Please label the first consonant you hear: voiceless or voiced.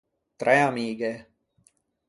voiceless